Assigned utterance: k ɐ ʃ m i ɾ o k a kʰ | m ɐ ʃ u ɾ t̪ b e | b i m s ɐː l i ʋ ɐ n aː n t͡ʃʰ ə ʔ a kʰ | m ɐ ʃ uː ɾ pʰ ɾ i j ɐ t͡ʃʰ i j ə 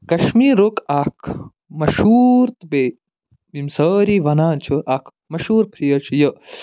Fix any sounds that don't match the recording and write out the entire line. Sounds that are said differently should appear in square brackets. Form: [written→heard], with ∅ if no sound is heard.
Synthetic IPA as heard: k ɐ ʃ m i ɾ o k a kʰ | m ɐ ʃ u ɾ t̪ b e | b i m s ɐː [l→ɾ] i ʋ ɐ n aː n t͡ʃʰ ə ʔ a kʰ | m ɐ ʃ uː ɾ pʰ ɾ i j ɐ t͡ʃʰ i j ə

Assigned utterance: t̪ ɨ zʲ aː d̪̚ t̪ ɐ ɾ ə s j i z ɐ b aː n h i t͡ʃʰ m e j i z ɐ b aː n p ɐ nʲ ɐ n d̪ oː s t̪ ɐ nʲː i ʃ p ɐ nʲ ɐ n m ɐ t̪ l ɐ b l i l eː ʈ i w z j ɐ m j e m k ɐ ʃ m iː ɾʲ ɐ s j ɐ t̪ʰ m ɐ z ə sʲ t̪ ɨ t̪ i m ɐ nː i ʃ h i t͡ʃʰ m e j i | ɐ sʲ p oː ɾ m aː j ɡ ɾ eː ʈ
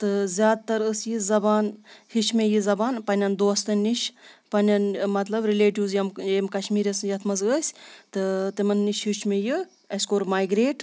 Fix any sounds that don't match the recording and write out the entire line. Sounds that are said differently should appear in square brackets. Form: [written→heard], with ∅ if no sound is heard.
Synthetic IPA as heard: t̪ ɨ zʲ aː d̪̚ t̪ ɐ ɾ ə s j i z ɐ b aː n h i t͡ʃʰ m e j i z ɐ b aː n p ɐ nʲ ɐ n d̪ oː s t̪ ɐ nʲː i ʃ p ɐ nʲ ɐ n m ɐ t̪ l ɐ b [l→ɾ] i l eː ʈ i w z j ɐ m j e m k ɐ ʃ m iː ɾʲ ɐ s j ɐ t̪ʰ m ɐ z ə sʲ t̪ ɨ t̪ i m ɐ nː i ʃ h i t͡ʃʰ m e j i | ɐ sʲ [p→k] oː ɾ m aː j ɡ ɾ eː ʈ

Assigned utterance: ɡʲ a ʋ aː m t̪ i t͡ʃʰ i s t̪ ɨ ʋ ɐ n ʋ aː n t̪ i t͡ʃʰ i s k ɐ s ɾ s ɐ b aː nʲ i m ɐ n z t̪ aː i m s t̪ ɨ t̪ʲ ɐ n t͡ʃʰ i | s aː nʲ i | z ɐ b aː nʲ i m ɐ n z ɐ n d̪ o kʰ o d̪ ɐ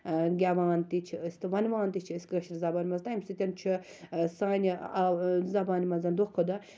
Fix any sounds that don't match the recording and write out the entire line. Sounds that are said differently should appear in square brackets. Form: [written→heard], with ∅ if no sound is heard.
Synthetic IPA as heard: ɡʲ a ʋ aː [m→n] t̪ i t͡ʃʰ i s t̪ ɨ ʋ ɐ n ʋ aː n t̪ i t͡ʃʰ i s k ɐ [s→ʃ] ɾ [s→z] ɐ b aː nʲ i m ɐ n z t̪ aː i m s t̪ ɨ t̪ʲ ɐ n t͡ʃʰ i | s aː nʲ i | z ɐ b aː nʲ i m ɐ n z ɐ n d̪ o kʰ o d̪ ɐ

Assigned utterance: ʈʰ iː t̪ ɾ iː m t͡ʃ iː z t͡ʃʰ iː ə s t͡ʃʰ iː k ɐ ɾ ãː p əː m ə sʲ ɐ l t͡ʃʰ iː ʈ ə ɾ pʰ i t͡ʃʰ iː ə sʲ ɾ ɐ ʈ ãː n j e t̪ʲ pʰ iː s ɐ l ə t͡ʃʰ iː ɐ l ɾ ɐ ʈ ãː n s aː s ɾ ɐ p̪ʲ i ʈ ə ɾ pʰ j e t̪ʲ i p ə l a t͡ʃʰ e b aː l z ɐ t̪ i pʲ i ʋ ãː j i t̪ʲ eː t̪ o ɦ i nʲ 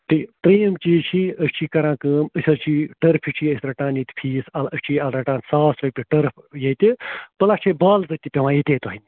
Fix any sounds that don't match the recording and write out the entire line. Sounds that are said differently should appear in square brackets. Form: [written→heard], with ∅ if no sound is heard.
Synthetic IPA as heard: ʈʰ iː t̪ ɾ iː m t͡ʃ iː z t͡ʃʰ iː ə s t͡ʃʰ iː k ɐ ɾ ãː [p→k] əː m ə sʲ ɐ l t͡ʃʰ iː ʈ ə ɾ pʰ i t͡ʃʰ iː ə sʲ ɾ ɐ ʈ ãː n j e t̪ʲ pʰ iː s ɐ l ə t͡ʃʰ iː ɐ l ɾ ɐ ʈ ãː n s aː s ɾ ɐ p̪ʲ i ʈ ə ɾ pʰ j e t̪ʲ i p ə l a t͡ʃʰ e b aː l z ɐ t̪ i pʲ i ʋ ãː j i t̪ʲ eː t̪ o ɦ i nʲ

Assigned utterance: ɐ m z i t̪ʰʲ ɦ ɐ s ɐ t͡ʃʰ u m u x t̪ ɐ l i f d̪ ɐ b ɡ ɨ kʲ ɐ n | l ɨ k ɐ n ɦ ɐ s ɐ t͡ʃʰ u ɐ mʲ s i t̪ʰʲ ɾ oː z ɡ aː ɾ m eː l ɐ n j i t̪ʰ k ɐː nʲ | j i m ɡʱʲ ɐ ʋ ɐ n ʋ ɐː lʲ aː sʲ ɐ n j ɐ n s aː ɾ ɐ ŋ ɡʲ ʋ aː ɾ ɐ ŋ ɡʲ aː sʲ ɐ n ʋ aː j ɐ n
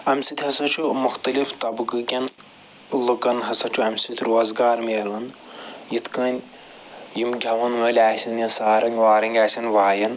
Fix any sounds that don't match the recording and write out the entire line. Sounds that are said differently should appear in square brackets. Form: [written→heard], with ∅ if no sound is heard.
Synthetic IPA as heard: ɐ m [z→s] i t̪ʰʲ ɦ ɐ s ɐ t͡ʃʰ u m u x t̪ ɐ l i f [d̪→t̪] ɐ b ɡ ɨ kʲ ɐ n | l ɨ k ɐ n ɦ ɐ s ɐ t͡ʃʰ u ɐ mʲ s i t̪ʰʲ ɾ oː z ɡ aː ɾ m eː l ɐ n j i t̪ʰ k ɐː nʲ | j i m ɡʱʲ ɐ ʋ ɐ n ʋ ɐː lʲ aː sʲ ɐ n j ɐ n s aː ɾ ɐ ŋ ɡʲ ʋ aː ɾ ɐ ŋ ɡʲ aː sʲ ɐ n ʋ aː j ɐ n

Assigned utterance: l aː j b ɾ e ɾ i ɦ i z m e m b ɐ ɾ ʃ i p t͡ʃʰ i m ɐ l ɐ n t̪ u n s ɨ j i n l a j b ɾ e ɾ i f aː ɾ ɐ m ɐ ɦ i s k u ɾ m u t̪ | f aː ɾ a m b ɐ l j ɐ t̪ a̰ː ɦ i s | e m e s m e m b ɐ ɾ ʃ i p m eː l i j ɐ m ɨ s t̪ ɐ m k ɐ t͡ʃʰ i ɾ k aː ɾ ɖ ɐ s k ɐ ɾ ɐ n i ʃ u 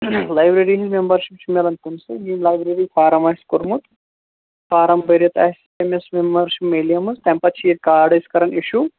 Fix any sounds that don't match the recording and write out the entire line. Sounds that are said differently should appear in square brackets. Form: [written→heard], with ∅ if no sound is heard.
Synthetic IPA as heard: l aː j b ɾ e ɾ i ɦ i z m e m b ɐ ɾ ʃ i p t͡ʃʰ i m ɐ l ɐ n t̪ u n s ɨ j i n l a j b ɾ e ɾ i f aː ɾ ɐ m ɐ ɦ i s k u ɾ m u t̪ | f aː ɾ [a→ɐ] m b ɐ [l→ɾ] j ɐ t̪ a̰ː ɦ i s | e m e s m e m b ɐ ɾ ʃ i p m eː l i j ɐ m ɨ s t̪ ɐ m [k→p] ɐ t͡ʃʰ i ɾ k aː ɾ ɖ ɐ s k ɐ ɾ ɐ n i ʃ u

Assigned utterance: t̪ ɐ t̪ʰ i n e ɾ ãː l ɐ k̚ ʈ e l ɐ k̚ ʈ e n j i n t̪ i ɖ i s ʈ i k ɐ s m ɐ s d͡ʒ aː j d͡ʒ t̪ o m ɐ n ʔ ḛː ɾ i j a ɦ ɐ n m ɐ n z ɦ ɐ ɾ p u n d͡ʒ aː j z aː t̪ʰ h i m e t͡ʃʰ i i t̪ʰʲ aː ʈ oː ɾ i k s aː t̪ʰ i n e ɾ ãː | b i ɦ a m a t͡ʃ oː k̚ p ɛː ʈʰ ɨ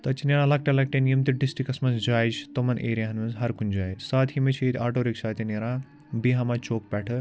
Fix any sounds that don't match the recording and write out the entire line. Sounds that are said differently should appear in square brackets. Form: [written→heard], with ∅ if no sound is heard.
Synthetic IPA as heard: t̪ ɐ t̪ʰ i n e ɾ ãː l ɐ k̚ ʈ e l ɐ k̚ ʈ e n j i [n→m] t̪ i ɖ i s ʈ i k ɐ s m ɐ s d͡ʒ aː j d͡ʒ t̪ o m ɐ n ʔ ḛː ɾ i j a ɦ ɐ n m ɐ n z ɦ ɐ ɾ [p→k] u n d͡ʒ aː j [z→s] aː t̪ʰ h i m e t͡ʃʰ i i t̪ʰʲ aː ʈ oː ɾ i k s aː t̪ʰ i n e ɾ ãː | b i ɦ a m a t͡ʃ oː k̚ p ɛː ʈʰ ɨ

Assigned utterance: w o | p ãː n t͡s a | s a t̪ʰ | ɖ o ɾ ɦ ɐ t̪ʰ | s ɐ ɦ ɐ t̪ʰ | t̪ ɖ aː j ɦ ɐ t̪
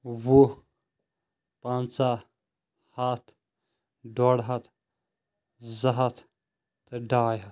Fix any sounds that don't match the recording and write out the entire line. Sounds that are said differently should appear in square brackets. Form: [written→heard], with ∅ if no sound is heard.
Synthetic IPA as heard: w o | p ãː n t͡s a | [s→h] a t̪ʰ | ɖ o [ɾ→ɽ] ɦ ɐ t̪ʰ | [s→z] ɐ ɦ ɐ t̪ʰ | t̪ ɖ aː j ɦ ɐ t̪

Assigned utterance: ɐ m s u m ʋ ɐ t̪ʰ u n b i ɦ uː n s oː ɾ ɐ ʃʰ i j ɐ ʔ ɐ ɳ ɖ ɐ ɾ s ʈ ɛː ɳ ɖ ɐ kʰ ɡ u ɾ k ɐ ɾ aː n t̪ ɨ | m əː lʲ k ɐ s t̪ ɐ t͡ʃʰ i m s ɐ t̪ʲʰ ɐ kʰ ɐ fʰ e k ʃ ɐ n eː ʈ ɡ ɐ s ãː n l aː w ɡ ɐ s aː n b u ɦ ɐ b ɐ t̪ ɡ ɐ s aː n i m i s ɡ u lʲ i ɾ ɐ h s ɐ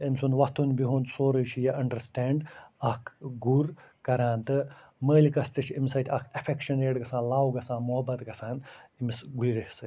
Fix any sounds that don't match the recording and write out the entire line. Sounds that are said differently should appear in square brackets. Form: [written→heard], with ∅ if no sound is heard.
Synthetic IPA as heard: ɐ m s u [m→n] ʋ ɐ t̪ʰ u n b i ɦ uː n s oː ɾ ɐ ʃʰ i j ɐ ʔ ɐ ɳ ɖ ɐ ɾ s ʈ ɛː ɳ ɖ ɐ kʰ ɡ u ɾ k ɐ ɾ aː n t̪ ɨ | m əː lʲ k ɐ s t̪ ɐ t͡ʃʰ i m s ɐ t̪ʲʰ ɐ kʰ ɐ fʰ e k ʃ ɐ n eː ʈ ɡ ɐ s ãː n l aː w ɡ ɐ s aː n [b→m] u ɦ ɐ b ɐ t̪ ɡ ɐ s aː n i m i s ɡ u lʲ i ɾ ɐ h s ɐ

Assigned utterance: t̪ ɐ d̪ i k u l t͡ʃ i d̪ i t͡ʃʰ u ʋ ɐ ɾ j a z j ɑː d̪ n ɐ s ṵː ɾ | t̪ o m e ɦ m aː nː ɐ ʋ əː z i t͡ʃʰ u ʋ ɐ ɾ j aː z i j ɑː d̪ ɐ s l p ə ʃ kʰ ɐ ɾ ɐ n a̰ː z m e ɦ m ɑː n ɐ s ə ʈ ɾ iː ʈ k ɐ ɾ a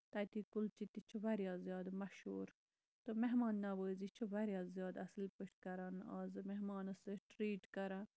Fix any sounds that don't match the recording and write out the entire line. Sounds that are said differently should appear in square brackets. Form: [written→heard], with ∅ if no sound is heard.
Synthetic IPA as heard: t̪ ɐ [d̪→t̪] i k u l t͡ʃ i [d̪→t̪] i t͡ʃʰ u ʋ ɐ ɾ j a z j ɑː d̪ [n→m] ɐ [s→ʃ] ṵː ɾ | t̪ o m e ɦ m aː nː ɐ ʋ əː z i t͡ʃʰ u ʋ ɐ ɾ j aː z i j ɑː d̪ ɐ s l p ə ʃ [kʰ→k] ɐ ɾ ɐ n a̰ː z m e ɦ m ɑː n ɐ s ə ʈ ɾ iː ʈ k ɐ ɾ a

